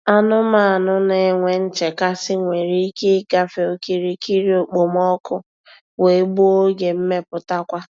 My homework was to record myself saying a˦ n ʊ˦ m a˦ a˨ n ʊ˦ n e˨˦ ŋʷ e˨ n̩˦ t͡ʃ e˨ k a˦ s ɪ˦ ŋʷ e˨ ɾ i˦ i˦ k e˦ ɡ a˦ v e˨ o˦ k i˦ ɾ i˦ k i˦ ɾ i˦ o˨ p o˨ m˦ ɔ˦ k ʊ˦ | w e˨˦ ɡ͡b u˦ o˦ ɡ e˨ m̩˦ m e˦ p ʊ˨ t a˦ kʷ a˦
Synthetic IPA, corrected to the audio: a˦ n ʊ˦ m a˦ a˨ n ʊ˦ n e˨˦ ŋʷ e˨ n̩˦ t͡ʃ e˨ k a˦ s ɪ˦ ŋʷ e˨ ɾ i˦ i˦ k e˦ ɡ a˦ f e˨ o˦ k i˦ ɾ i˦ k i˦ ɾ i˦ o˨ k͡p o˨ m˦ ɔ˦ k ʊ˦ | w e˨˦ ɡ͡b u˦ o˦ ɡ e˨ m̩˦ m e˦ p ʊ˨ t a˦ kʷ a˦